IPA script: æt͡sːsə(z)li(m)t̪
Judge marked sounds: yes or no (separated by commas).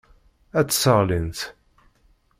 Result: no, no